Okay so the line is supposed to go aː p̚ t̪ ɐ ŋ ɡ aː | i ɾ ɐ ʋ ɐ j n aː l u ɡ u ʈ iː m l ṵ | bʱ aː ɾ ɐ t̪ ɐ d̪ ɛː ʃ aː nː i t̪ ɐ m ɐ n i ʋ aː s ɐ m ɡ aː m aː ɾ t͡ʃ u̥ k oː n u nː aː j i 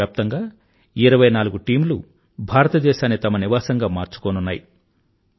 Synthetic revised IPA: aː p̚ t̪ ɐ ŋ ɡ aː | i ɾ ɐ ʋ ɐ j n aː l u ɡ u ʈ iː m l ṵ | bʱ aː ɾ ɐ t̪ ɐ d̪ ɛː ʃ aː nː i t̪ ɐ m ɐ n i ʋ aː s ɐ ŋ ɡ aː m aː ɾ t͡ʃ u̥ k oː n u nː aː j i